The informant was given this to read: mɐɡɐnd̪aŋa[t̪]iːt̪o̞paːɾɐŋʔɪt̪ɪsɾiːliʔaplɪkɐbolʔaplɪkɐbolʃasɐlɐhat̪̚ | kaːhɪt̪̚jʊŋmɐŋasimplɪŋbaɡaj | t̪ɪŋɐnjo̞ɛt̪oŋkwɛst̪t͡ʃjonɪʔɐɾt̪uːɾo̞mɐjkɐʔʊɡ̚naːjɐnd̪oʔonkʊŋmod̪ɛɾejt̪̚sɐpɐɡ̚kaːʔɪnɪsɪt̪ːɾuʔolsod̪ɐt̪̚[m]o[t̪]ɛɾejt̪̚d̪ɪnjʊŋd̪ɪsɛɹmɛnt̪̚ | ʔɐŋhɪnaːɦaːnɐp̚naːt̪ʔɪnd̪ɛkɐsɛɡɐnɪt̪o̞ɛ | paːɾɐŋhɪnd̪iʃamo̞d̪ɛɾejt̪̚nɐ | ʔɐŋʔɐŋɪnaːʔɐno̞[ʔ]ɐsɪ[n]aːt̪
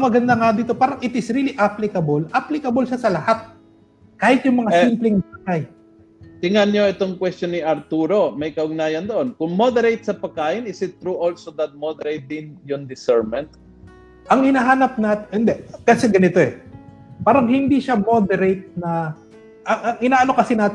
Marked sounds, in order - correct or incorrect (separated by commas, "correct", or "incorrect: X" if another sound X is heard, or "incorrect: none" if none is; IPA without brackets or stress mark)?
incorrect: d̪, correct, incorrect: d̪, incorrect: k, correct